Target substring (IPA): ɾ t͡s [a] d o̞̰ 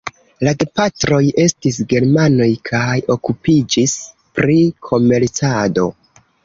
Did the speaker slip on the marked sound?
no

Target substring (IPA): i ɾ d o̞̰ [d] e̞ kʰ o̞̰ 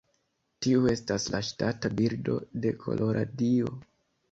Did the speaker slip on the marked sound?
no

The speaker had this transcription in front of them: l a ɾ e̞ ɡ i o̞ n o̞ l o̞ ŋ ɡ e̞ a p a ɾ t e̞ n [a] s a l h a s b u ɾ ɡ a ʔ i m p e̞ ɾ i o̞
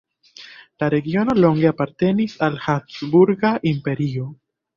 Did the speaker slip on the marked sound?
yes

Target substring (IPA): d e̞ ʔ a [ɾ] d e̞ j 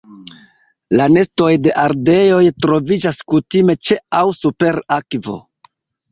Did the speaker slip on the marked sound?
no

